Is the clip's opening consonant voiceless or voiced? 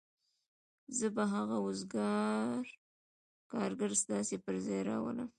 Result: voiced